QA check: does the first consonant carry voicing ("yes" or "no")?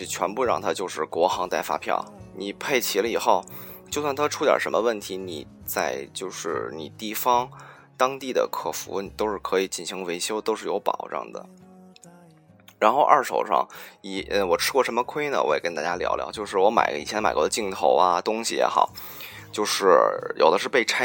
no